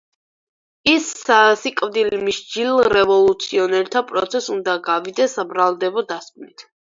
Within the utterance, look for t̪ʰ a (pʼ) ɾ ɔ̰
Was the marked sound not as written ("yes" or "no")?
no